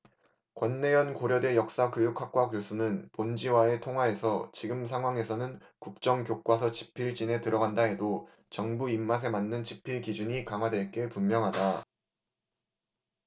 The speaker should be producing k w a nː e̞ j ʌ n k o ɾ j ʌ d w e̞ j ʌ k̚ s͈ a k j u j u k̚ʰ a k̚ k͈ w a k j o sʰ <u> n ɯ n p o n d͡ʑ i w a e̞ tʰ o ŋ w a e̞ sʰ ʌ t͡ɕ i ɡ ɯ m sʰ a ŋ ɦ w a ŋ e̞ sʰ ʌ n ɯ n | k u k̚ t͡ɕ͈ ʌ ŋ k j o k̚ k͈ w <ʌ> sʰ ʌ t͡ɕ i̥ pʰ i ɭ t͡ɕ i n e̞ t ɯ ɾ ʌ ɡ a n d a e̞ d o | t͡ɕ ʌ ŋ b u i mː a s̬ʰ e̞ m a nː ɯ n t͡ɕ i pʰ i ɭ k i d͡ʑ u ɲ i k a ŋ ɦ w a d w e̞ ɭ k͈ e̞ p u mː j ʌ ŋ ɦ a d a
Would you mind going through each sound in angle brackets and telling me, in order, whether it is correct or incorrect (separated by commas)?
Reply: correct, incorrect